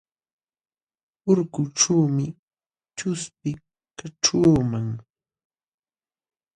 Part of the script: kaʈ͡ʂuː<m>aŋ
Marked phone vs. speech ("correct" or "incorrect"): correct